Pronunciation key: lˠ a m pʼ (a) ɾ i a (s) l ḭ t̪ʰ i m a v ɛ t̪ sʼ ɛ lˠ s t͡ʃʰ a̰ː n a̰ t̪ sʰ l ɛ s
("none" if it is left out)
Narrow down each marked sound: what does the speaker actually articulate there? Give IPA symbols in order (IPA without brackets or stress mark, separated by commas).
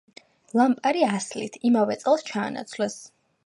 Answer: a, s